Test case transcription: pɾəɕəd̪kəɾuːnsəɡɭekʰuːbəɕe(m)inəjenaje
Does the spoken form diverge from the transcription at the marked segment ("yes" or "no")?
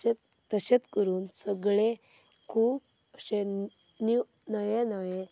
yes